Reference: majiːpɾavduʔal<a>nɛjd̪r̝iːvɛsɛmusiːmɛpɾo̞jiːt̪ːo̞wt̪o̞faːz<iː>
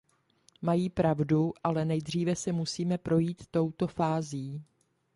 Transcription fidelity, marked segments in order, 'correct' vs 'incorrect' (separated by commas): incorrect, correct